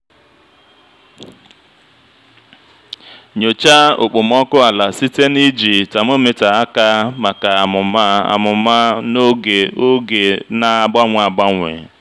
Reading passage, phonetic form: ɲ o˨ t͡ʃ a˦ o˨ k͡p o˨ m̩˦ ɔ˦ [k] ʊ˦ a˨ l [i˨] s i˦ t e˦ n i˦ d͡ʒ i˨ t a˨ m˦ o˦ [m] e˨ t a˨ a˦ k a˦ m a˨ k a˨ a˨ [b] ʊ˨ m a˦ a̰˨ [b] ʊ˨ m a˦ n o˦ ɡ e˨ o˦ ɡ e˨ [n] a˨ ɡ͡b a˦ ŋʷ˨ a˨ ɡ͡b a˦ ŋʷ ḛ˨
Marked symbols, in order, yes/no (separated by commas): yes, no, yes, no, no, yes